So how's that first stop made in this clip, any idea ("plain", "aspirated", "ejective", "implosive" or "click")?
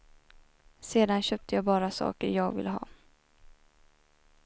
plain